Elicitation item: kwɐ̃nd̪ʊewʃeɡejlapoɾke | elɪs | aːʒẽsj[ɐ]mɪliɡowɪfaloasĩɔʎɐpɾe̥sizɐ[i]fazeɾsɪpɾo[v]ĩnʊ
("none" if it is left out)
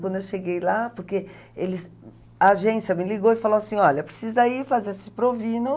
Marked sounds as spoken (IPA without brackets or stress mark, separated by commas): ɐ, i, v